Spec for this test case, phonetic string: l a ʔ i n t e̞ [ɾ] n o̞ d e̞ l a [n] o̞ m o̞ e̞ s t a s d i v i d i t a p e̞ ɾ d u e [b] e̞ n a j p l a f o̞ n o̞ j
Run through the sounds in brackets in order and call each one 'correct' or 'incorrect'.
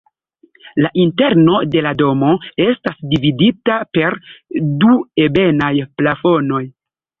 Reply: correct, incorrect: d, correct

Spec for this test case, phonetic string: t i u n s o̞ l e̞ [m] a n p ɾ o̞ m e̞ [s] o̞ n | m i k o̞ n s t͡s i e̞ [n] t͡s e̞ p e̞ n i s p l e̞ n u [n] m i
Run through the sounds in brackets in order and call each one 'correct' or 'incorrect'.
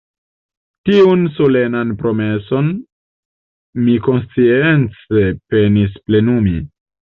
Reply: incorrect: n, correct, correct, incorrect: none

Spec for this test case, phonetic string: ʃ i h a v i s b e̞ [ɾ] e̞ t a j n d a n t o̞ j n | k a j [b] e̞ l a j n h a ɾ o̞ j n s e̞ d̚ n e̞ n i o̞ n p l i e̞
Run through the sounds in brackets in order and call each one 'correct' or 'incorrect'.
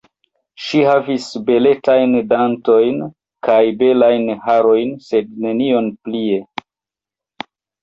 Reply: incorrect: l, correct

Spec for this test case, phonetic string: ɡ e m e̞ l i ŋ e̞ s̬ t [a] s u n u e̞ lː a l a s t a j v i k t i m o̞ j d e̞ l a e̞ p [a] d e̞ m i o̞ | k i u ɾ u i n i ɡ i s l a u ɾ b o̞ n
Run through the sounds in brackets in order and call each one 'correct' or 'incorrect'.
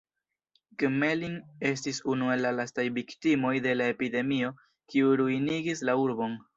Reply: incorrect: i, incorrect: i

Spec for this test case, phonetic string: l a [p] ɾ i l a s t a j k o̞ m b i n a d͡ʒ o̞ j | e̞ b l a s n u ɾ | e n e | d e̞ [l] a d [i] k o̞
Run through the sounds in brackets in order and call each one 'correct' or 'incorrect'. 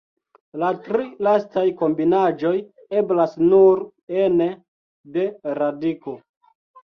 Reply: incorrect: t, incorrect: ɾ, correct

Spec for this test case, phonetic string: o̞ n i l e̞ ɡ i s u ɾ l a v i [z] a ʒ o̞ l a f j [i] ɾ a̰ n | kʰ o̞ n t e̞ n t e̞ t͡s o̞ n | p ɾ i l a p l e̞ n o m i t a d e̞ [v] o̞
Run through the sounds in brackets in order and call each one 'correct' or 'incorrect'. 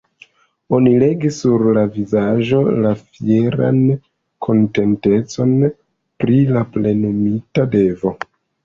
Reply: correct, incorrect: e, correct

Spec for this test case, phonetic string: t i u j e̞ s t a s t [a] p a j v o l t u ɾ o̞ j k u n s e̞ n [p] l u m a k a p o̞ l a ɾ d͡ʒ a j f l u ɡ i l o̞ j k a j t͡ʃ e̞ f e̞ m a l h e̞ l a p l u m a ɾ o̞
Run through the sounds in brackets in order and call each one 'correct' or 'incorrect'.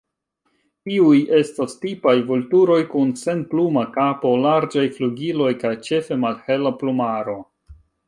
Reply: incorrect: i, correct

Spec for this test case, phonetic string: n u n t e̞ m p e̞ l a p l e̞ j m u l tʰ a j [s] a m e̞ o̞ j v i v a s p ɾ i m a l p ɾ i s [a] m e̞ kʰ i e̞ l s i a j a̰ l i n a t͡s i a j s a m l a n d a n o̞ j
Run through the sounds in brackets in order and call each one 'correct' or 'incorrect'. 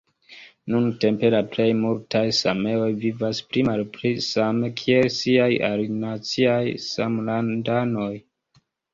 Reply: correct, correct

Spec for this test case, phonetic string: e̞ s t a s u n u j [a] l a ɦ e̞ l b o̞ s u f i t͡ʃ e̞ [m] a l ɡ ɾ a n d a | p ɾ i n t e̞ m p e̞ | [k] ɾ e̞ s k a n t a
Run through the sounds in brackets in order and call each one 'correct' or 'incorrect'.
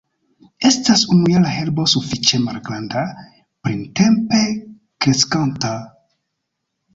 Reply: correct, correct, correct

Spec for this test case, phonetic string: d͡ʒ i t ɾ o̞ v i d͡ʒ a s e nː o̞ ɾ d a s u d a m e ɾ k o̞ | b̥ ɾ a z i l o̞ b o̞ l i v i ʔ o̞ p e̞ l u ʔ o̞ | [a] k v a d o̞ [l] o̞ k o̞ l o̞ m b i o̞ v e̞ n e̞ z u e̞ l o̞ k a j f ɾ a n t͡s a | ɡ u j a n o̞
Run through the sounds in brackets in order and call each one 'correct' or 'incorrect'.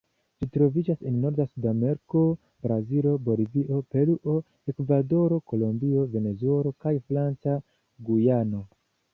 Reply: incorrect: e, incorrect: ɾ

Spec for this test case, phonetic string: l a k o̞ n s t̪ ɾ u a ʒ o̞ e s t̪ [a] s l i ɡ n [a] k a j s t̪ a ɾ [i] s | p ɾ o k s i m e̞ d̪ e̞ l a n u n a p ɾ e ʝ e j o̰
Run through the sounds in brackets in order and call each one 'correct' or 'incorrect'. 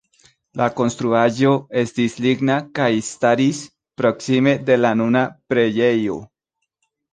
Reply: incorrect: i, correct, correct

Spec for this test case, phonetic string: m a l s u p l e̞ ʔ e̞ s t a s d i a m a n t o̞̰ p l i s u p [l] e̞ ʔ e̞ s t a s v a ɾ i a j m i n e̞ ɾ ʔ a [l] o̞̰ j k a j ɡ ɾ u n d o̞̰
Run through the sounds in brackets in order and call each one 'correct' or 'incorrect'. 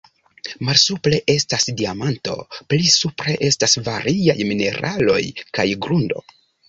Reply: incorrect: ɾ, correct

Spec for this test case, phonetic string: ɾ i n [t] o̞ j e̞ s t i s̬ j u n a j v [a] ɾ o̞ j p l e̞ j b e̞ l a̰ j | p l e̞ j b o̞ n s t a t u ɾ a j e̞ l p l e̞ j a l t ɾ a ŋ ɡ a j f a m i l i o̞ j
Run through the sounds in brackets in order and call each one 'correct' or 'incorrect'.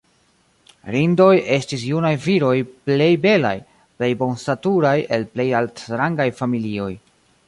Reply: incorrect: d, incorrect: i

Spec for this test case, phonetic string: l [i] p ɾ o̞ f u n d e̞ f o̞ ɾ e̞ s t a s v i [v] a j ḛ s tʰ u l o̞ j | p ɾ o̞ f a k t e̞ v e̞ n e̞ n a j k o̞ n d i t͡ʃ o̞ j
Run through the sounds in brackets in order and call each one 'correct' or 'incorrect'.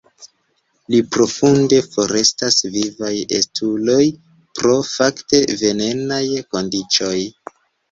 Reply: correct, correct

